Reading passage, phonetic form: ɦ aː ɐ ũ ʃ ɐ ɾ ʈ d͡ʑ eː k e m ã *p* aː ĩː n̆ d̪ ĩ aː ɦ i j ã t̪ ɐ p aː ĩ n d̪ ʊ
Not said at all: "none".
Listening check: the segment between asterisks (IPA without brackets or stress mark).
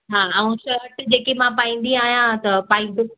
p